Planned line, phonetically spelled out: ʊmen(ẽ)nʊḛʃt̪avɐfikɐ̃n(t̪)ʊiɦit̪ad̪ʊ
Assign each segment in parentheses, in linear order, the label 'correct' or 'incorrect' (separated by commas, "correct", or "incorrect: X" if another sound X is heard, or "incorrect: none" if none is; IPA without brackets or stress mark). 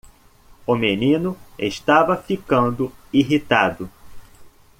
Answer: incorrect: ĩ, incorrect: d̪